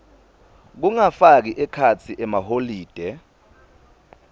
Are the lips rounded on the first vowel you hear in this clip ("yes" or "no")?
yes